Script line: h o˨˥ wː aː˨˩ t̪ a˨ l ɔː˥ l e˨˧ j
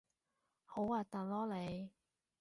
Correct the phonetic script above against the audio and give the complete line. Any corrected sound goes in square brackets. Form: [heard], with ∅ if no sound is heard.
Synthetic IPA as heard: h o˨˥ [w] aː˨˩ t̪ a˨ l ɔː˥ l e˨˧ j